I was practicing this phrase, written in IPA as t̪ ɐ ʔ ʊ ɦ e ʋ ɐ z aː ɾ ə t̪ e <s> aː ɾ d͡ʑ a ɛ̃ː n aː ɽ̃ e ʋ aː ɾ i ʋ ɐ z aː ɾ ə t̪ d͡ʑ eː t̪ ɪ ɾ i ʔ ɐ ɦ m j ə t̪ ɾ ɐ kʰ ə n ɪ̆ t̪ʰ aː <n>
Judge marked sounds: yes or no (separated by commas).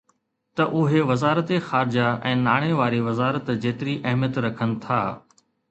no, no